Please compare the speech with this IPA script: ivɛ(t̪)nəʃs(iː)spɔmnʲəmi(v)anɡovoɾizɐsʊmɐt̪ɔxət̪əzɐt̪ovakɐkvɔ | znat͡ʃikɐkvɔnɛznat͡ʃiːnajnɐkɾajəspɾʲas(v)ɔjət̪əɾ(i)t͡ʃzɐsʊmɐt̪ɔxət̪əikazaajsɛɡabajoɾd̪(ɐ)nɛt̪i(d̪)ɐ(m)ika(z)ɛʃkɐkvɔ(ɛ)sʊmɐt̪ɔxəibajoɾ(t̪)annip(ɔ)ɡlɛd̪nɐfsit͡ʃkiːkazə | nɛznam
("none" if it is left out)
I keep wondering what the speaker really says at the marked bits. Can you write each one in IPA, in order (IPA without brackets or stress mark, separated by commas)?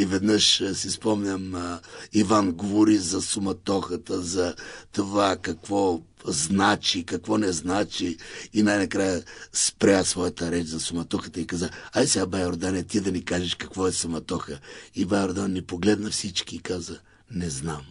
d̪, i, v, v, ɛ, a, d̪, n, ʒ, ɛ, d̪, o